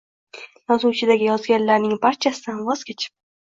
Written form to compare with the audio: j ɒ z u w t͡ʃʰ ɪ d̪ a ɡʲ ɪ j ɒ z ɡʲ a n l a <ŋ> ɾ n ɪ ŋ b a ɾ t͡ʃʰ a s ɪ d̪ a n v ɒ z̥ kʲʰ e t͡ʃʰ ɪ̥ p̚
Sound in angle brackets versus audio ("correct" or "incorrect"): incorrect